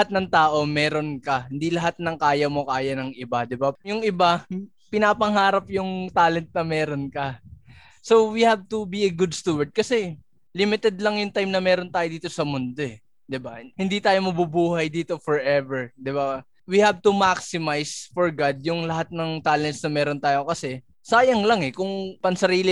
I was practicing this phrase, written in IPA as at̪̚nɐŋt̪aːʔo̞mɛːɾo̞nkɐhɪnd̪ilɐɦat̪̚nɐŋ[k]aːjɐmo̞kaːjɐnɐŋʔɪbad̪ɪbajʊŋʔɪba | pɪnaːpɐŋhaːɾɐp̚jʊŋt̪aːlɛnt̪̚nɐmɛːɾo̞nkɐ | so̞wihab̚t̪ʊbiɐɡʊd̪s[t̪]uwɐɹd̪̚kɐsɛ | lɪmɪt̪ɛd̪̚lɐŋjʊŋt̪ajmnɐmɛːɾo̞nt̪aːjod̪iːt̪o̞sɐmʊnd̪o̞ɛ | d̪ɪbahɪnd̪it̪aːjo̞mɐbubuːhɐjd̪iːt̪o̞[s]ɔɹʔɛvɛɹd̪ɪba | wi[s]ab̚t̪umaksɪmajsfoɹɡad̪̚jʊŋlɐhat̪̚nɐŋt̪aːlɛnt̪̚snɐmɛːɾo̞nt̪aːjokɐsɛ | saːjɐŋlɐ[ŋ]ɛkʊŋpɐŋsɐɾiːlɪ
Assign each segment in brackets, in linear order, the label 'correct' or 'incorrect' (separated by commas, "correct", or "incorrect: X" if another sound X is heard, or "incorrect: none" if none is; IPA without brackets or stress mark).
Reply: correct, correct, incorrect: f, incorrect: h, correct